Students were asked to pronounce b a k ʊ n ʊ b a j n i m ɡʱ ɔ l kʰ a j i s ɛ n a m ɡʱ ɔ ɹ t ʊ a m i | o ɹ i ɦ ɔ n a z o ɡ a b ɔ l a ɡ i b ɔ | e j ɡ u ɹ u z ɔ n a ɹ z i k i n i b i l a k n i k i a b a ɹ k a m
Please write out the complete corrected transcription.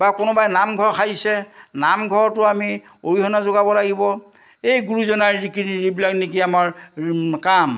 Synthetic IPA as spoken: b a k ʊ n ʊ b a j n a m ɡʱ ɔ ɹ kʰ a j i s ɛ n a m ɡʱ ɔ ɹ t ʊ a m i | o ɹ i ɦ ɔ n a z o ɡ a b ɔ l a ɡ i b ɔ | e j ɡ u ɹ u z ɔ n a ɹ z i k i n i b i l a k n i k i a m a ɹ k a m